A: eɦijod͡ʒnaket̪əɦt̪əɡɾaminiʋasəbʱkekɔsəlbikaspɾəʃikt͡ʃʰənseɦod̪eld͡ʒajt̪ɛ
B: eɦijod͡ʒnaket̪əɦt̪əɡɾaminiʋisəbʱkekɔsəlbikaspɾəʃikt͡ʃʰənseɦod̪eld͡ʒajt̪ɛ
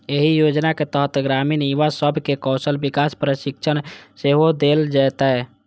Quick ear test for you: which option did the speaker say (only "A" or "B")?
A